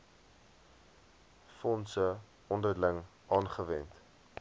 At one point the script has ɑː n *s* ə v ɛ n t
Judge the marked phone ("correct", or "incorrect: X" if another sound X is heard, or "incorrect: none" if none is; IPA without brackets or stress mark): incorrect: χ